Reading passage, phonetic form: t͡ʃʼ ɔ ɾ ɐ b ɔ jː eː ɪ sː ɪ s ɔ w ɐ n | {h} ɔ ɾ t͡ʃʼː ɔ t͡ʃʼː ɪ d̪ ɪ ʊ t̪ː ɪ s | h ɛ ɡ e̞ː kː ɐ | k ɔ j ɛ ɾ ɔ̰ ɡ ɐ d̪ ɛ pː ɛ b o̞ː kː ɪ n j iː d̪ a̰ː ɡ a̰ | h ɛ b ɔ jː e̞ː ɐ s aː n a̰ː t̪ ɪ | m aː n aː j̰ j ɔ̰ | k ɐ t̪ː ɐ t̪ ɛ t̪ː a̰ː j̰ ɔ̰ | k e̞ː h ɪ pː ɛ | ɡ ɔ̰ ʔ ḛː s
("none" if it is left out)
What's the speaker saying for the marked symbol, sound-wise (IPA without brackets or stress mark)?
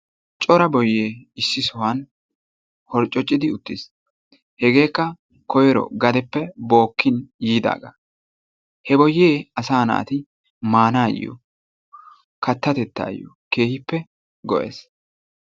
h